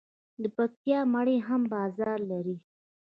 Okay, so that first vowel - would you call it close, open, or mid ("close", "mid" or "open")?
mid